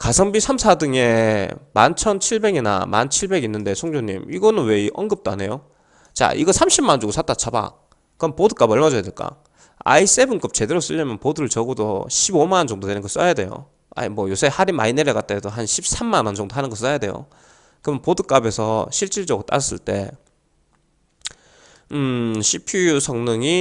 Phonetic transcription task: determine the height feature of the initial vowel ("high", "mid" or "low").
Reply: low